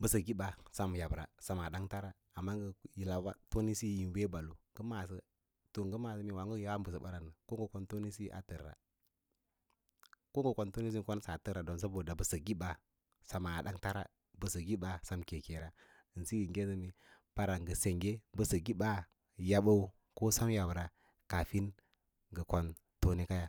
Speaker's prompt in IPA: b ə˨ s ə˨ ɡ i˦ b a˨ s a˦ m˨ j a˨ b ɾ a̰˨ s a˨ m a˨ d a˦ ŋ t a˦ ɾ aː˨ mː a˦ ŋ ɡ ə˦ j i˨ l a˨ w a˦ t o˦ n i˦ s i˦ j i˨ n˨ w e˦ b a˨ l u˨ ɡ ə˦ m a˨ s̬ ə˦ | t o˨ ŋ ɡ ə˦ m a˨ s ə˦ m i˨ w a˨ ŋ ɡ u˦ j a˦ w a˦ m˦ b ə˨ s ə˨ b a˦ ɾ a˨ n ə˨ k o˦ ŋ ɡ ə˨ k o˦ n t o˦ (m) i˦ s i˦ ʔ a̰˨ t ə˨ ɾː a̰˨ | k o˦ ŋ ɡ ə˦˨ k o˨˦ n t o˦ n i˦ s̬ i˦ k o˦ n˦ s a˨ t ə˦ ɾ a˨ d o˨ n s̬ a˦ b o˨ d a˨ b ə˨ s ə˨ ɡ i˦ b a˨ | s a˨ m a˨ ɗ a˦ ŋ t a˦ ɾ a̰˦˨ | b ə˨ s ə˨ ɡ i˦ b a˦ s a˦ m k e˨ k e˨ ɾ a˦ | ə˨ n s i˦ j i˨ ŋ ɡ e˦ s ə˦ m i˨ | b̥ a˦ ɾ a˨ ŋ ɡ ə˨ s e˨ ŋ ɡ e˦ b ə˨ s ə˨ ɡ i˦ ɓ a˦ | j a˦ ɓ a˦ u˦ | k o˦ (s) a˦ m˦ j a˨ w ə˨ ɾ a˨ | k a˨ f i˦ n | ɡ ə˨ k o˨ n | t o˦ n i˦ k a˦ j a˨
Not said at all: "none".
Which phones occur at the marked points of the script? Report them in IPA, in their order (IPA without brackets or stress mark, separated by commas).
n, s